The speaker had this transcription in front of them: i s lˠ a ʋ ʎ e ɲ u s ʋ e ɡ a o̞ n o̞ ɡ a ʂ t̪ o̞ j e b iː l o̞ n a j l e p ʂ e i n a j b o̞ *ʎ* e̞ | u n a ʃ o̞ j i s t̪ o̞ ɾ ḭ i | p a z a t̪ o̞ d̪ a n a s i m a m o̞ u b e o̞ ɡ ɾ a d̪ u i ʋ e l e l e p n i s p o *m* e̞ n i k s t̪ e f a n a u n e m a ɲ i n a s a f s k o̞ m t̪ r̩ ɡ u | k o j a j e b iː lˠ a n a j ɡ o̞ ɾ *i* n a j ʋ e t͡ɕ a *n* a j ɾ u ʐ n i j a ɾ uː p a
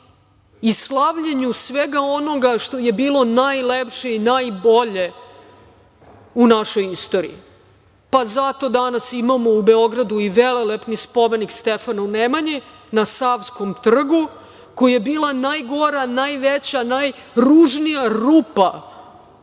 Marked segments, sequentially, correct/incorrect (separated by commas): correct, correct, incorrect, correct